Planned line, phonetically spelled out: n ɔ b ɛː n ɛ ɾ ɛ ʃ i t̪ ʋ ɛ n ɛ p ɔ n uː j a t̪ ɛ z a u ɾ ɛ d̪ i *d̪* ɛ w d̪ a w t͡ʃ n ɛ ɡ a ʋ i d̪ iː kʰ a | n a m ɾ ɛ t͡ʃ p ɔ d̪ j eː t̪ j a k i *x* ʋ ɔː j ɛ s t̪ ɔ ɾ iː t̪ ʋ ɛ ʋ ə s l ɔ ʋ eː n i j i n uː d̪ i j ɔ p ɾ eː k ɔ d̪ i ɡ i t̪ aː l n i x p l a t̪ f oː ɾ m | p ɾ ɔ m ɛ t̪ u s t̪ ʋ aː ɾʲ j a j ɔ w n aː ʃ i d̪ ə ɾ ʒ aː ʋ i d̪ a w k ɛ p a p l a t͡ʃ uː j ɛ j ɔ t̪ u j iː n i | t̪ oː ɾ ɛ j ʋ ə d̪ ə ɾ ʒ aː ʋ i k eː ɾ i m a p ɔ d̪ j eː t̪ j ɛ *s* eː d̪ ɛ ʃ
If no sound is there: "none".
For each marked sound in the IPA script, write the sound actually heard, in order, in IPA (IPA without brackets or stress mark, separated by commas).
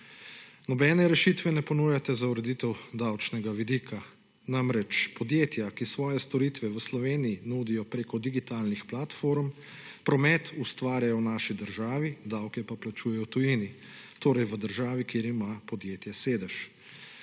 t̪, s, s